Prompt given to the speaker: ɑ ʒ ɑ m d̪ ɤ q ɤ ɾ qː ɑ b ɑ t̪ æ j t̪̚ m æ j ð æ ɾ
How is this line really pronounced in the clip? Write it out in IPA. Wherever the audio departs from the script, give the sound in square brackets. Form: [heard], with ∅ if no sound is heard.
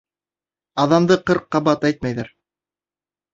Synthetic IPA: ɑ [ð] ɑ m d̪ ɤ q ɤ ɾ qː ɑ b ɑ t̪ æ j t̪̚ m æ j ð æ ɾ